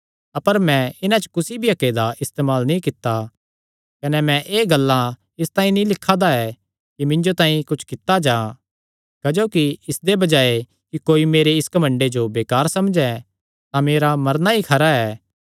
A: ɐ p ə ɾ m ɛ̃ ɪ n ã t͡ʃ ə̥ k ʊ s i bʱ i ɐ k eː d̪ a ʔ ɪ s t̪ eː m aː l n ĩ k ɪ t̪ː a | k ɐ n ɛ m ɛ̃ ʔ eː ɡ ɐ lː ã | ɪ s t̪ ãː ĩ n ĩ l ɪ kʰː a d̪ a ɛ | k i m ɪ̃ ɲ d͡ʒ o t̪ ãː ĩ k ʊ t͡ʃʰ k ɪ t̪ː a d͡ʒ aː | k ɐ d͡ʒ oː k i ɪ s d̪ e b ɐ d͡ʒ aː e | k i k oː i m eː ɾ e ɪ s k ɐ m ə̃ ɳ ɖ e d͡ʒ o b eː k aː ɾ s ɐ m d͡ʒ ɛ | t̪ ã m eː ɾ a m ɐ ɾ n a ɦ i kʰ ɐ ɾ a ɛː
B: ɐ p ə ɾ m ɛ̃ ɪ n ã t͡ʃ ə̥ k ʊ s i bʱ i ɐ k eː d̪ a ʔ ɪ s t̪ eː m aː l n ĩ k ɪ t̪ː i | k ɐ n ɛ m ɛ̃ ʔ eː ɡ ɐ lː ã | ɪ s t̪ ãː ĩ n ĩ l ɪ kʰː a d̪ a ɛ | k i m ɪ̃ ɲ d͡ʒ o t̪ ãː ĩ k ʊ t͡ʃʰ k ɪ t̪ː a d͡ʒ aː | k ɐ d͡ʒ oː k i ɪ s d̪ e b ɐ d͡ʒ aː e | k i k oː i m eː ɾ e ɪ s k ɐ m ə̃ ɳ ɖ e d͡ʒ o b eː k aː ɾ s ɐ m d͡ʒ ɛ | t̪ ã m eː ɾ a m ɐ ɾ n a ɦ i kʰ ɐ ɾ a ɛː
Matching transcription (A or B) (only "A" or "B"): A